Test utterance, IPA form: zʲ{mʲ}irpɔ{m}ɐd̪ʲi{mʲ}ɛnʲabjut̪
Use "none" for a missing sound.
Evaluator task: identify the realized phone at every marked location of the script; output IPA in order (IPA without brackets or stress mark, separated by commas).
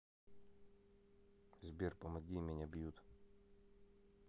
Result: bʲ, m, mʲ